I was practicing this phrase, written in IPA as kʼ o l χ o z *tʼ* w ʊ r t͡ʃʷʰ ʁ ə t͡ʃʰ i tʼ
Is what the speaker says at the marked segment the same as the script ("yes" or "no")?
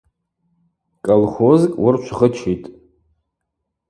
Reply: no